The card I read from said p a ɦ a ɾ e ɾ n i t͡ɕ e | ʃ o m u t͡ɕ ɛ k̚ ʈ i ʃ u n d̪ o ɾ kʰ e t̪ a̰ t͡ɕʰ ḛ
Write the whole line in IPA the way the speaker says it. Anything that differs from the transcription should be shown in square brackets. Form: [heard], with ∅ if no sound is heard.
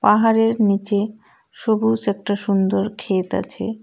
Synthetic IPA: p a ɦ a ɾ e ɾ n i t͡ɕ e | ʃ o [b] u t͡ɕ ɛ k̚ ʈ [a] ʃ u n d̪ o ɾ kʰ e t̪ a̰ t͡ɕʰ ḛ